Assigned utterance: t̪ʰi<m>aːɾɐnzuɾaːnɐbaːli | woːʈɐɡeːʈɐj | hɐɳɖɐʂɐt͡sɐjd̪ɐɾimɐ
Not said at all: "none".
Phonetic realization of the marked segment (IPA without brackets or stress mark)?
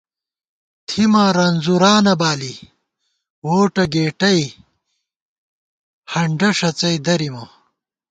m